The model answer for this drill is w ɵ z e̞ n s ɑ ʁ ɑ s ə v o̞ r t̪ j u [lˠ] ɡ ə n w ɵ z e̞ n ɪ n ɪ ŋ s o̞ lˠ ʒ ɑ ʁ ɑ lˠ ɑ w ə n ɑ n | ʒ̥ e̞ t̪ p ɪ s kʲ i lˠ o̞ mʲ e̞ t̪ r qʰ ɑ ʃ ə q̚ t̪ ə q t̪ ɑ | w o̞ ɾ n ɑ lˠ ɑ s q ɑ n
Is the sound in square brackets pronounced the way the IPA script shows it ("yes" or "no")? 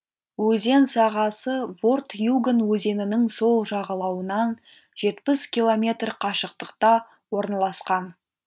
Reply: no